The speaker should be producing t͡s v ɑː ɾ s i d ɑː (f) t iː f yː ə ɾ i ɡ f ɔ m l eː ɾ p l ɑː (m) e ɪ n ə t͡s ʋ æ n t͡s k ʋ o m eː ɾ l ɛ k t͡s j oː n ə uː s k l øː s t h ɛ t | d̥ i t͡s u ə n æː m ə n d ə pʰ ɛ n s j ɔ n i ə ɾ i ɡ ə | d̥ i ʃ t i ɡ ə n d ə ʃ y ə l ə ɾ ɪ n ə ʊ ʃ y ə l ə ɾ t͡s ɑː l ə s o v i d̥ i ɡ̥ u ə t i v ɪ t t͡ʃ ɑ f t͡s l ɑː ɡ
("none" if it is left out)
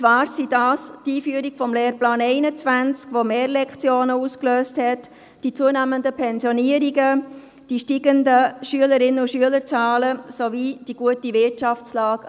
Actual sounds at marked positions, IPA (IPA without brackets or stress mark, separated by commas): s, n